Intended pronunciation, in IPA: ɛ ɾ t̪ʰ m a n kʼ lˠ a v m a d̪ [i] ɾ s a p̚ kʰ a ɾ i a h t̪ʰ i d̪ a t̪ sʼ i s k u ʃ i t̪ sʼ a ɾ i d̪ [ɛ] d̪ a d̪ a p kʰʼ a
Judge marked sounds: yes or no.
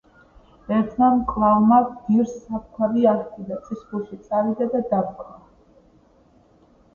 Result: yes, no

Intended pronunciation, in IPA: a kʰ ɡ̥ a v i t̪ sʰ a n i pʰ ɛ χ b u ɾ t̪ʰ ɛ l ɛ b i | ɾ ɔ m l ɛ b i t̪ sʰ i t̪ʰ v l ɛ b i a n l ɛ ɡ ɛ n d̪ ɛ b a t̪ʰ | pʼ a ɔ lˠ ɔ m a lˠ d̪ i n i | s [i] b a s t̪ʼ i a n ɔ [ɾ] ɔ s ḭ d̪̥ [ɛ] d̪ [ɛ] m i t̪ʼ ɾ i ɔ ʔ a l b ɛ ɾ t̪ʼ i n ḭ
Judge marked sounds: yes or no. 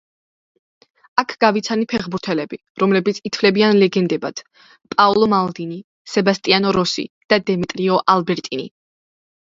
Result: no, yes, no, yes

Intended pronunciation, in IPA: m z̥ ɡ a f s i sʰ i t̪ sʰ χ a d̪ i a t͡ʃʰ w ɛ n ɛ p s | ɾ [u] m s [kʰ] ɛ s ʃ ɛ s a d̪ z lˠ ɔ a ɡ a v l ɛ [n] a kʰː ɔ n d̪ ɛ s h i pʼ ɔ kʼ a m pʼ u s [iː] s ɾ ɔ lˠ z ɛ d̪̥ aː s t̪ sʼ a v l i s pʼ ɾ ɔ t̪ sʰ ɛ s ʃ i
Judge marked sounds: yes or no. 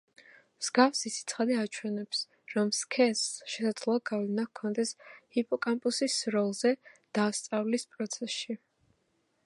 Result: no, yes, yes, no

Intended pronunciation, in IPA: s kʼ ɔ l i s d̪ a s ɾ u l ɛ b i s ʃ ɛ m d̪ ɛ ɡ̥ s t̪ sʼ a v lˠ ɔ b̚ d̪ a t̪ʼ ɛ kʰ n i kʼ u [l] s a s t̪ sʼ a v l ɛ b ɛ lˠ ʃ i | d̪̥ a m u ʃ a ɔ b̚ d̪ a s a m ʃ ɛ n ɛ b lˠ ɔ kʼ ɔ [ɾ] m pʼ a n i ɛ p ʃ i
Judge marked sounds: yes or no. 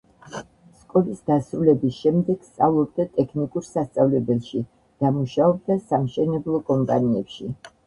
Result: no, no

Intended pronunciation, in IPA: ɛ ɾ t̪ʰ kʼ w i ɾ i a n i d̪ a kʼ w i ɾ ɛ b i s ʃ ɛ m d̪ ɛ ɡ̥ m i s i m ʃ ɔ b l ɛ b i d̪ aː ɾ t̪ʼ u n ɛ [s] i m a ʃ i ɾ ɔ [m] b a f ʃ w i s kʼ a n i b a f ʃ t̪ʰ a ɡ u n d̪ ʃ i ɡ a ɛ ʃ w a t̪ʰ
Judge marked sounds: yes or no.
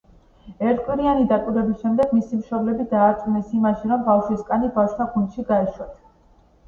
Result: yes, yes

